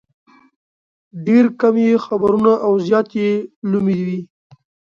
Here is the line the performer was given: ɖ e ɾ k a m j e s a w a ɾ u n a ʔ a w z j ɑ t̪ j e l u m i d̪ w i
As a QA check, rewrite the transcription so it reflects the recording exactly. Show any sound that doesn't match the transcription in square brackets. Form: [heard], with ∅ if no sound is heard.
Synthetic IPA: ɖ e ɾ k a m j e [x] a [b] a ɾ u n a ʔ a w z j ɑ t̪ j e l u m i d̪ w i